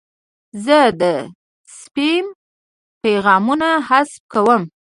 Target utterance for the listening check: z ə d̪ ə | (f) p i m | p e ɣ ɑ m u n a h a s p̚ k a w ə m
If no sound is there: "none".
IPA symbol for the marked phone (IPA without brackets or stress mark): s